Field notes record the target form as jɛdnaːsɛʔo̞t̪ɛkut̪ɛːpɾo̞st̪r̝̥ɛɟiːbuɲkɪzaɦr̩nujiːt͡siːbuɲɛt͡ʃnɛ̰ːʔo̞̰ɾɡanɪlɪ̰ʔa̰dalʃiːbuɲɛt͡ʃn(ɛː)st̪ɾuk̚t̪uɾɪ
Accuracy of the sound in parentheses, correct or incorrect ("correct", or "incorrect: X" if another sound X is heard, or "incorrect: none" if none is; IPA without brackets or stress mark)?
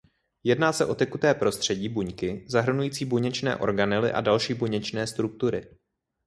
correct